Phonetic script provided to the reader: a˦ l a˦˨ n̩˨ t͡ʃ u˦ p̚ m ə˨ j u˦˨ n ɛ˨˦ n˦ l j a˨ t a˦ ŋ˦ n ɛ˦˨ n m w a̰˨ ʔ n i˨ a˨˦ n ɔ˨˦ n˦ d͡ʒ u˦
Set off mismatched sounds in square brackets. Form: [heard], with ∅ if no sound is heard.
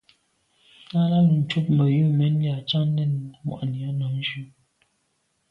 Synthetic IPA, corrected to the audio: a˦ l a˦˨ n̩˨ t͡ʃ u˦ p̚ m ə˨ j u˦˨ [m] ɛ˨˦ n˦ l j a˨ [t͡ʃ] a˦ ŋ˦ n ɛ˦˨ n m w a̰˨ ʔ n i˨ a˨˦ n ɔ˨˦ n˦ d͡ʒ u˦